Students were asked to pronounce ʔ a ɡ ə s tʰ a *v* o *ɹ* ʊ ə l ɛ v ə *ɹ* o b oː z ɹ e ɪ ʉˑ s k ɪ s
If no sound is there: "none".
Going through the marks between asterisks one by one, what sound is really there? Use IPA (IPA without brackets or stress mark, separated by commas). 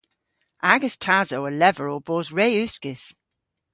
z, none, ɹ